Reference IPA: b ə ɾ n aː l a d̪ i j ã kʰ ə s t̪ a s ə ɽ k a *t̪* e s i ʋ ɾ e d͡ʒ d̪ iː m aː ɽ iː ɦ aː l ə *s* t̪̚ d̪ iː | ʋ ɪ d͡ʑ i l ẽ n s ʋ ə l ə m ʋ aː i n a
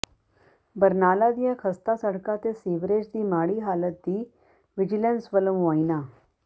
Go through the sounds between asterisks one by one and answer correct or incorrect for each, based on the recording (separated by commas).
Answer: correct, incorrect